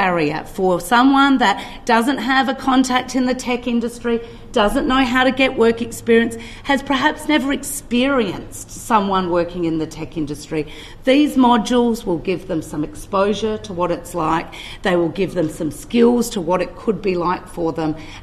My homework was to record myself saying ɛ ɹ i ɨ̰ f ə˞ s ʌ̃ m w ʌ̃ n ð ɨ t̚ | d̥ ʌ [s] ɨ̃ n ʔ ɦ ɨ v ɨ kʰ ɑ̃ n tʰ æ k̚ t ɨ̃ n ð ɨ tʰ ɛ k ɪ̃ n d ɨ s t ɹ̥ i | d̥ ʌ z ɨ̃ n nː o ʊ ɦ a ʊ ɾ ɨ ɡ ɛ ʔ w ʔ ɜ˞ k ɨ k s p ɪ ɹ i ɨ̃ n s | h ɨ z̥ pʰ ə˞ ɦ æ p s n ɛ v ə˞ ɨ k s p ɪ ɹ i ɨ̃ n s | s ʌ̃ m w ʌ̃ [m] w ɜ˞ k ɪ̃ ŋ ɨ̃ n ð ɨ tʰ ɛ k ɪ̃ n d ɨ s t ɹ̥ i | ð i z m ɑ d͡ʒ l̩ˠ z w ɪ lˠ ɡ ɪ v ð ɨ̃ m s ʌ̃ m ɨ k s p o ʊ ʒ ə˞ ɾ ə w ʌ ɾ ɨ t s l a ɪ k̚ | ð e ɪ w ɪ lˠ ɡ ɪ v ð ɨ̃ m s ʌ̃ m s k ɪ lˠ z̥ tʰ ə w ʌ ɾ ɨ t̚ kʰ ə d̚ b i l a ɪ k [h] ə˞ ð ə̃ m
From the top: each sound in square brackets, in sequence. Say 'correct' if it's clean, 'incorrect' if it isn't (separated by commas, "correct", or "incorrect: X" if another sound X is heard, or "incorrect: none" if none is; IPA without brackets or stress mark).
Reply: incorrect: z, incorrect: n, incorrect: f